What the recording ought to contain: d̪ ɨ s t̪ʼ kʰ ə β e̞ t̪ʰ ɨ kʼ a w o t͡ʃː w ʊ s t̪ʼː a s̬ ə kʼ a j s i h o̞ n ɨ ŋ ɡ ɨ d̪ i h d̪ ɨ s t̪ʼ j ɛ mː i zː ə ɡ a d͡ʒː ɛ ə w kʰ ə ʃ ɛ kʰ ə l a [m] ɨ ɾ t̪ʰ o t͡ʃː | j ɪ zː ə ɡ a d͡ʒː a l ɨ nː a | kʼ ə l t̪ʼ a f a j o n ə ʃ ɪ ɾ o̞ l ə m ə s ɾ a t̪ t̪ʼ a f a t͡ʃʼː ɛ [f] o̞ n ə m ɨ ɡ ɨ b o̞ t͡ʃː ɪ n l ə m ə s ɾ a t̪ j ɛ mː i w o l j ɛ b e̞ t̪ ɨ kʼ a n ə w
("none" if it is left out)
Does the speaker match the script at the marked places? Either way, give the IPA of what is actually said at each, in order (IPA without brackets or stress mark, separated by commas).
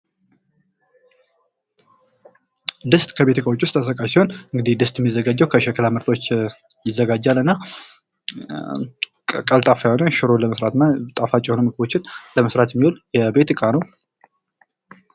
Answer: m, h